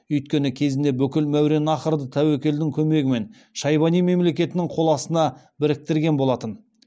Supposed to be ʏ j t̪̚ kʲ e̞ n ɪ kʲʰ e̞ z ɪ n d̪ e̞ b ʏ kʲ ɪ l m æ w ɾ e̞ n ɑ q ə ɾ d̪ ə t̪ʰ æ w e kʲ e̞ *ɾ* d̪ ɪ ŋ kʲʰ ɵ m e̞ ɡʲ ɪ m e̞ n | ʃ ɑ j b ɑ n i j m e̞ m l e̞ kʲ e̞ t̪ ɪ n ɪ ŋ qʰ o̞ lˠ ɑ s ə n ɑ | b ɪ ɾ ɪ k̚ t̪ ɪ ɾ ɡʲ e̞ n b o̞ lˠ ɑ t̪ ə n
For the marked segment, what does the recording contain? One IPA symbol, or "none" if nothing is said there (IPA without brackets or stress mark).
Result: l